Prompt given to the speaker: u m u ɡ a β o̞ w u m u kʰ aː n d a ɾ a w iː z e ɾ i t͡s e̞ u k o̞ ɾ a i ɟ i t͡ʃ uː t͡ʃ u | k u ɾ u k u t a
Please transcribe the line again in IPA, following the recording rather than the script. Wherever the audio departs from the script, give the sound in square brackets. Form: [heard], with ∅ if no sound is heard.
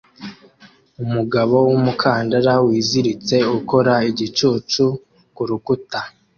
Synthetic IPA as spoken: u m u ɡ a β o̞ w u m u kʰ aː n d a ɾ a w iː z [i] ɾ i t͡s e̞ u k o̞ ɾ a i ɟ i t͡ʃ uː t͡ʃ u | k u ɾ u k u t a